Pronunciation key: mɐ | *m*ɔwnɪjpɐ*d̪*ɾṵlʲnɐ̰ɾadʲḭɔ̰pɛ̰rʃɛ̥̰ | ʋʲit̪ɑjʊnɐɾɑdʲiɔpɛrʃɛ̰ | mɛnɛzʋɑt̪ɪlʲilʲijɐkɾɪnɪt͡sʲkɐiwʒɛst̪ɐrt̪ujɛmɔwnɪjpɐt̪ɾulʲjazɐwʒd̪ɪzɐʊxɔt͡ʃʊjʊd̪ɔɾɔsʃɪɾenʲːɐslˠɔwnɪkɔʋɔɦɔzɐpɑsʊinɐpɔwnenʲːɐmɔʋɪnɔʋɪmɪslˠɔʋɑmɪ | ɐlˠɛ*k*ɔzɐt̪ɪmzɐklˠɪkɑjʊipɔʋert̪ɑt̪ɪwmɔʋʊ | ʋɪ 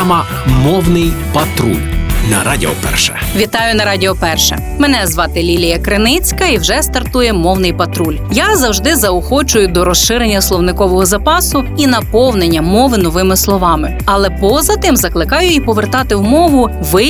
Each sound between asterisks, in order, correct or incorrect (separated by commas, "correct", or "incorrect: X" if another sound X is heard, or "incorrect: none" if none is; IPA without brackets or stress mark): correct, incorrect: t̪, incorrect: p